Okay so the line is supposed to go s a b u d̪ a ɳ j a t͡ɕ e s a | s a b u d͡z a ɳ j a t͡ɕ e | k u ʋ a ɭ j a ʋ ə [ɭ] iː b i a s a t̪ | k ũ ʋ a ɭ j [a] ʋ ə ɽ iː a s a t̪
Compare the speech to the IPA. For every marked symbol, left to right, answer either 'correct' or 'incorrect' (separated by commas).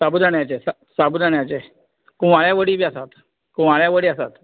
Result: incorrect, correct